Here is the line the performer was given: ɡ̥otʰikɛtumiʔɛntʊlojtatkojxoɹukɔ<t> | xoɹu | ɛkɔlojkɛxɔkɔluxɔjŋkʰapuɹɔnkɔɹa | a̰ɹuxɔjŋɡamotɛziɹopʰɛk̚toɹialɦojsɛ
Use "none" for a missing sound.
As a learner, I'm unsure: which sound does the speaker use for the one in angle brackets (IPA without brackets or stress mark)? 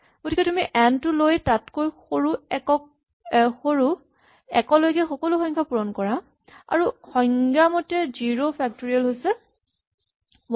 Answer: none